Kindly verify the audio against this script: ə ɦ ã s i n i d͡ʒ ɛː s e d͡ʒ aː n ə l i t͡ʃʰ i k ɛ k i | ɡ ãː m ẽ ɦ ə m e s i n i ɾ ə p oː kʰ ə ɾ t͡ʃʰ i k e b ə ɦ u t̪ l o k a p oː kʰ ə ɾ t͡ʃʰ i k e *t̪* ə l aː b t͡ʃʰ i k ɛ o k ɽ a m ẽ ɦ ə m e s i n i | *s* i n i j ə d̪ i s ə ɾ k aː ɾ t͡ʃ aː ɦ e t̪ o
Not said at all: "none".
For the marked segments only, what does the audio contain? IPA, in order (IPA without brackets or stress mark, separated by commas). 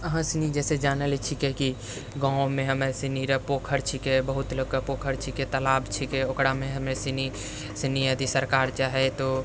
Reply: t̪, s